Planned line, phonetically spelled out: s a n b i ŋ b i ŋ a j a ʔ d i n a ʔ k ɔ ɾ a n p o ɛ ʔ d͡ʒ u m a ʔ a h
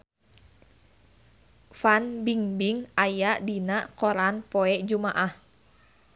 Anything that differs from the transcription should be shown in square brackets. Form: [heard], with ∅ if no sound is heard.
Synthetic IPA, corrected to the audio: [f] a n b i ŋ b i ŋ a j a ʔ d i n a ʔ k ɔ ɾ a n p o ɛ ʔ d͡ʒ u m a ʔ a h